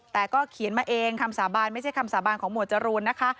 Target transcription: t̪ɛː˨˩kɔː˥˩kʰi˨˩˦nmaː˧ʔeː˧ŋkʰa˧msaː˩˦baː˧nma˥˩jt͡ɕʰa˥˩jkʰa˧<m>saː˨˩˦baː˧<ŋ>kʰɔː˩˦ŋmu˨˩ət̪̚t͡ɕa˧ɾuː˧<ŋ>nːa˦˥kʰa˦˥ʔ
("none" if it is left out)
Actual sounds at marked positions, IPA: m, n, none

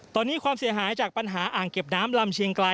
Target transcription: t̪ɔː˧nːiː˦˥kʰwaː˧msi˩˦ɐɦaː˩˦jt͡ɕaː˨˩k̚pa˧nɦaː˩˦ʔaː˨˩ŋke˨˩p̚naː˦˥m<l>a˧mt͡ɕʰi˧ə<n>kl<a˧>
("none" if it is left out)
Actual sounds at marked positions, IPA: l, ŋ, a˧

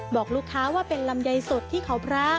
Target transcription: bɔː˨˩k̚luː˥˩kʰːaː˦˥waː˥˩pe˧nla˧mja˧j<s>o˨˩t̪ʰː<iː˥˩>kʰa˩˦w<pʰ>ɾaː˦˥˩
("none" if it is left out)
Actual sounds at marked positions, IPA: s, iː˥˩, pʰ

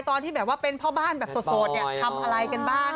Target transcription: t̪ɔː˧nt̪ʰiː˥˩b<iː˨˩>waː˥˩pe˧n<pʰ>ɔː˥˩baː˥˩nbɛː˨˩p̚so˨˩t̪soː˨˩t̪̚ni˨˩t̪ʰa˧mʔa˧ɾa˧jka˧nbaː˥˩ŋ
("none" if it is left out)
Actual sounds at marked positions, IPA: ɛː˨˩, pʰ

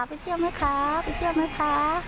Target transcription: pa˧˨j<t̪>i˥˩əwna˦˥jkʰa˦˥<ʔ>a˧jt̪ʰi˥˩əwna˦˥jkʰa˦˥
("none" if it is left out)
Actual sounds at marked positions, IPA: t̪ʰ, p

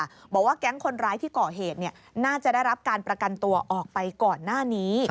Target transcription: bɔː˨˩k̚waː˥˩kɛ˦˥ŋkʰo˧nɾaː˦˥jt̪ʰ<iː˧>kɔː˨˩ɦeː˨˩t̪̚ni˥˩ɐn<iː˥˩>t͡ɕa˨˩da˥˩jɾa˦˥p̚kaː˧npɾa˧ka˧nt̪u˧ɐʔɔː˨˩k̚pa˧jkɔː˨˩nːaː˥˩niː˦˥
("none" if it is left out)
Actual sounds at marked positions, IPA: iː˥˩, aː˥˩

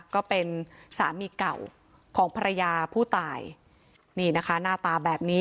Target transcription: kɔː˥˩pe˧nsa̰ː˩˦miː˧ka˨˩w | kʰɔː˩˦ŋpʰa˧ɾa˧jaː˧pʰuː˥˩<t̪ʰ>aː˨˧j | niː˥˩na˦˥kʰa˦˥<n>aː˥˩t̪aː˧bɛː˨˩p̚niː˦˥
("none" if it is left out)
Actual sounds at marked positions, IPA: t̪, n

